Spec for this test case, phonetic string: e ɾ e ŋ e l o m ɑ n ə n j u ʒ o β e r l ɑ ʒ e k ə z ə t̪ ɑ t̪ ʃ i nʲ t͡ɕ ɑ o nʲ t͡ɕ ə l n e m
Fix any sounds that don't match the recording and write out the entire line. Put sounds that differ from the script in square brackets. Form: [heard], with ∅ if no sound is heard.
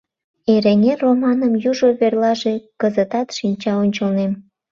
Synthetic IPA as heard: e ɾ e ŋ e [r] o m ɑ n ə [m] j u ʒ o β e r l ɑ ʒ e k ə z ə t̪ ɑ t̪ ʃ i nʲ t͡ɕ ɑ o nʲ t͡ɕ ə l n e m